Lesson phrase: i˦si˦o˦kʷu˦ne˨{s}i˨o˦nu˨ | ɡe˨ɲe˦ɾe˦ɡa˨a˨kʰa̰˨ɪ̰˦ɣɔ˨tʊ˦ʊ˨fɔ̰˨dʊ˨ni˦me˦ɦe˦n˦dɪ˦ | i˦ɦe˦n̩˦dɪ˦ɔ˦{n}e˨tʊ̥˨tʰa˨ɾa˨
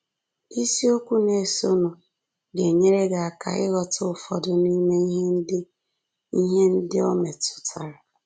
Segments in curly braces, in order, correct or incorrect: correct, incorrect

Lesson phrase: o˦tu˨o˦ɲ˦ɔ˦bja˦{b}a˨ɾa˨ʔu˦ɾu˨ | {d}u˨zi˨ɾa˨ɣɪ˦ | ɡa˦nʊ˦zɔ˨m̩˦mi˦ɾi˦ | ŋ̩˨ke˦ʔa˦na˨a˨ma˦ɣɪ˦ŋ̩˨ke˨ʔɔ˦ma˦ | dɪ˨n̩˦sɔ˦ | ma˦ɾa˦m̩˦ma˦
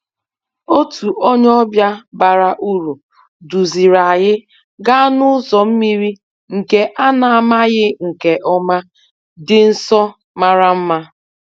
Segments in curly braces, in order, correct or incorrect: correct, correct

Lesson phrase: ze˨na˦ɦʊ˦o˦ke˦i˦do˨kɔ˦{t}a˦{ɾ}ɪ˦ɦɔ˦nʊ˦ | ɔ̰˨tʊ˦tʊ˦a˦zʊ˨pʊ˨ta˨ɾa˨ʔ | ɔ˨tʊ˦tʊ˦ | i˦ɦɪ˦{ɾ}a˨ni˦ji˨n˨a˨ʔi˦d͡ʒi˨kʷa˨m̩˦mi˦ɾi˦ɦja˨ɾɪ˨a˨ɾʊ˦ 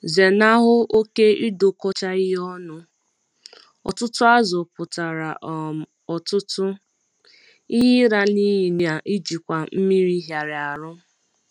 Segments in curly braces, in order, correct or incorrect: incorrect, incorrect, correct

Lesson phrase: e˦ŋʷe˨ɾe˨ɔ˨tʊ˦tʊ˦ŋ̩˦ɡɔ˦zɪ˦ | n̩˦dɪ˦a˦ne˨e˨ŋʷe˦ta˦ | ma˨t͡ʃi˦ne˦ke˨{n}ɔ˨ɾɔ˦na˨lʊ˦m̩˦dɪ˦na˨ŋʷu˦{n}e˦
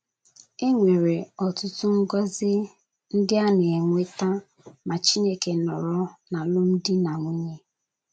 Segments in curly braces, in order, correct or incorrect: correct, incorrect

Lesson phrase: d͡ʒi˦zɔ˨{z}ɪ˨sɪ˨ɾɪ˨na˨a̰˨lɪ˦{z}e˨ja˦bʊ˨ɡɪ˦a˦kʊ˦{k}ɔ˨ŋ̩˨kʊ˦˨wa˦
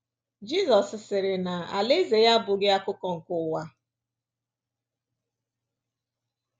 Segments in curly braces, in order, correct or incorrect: incorrect, correct, correct

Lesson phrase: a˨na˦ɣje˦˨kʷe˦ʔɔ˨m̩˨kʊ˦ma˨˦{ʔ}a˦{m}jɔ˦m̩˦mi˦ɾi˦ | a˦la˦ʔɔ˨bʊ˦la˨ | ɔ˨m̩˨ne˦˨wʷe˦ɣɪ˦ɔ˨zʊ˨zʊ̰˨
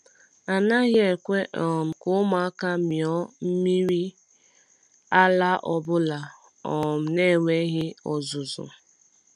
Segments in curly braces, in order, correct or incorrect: incorrect, correct

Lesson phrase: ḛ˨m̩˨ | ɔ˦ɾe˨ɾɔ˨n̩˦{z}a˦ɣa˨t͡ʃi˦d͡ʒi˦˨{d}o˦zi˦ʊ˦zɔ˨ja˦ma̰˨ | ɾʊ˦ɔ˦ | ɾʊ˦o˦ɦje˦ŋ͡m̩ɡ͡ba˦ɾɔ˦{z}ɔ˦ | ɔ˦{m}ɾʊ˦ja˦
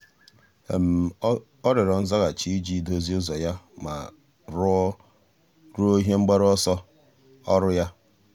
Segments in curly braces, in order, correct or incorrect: correct, correct, incorrect, incorrect

